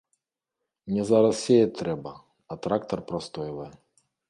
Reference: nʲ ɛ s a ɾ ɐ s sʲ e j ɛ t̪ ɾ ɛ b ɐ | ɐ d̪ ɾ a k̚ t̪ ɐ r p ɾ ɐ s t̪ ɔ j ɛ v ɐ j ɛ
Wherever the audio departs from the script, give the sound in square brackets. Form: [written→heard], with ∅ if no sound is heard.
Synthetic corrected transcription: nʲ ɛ [s→z] a ɾ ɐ s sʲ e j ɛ t̪ ɾ ɛ b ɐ | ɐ [d̪→t̪] ɾ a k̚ t̪ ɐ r p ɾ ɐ s t̪ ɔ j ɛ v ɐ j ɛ